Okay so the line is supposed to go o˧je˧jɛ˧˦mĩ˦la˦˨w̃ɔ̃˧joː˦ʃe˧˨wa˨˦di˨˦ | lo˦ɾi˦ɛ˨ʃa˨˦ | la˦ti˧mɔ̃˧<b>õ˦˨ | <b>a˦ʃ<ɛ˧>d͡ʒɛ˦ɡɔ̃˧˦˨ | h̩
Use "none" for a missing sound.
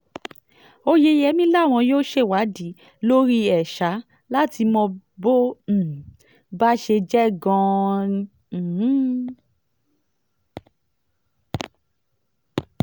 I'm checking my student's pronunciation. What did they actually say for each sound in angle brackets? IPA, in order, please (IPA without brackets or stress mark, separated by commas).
b, b, e˧